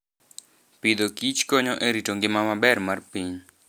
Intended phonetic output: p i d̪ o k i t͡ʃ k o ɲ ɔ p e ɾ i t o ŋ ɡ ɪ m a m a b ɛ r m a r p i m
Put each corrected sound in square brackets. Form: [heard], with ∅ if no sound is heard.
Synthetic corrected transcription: p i d̪ o k i t͡ʃ k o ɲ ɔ [ʔ] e ɾ i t o ŋ ɡ ɪ m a m a b ɛ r m a r p i [ɲ]